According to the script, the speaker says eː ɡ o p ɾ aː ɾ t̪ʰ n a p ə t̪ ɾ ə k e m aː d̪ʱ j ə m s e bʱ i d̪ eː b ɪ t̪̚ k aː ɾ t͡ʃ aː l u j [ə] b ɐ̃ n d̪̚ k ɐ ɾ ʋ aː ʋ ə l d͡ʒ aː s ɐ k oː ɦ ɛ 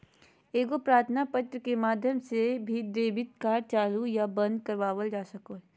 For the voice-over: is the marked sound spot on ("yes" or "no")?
no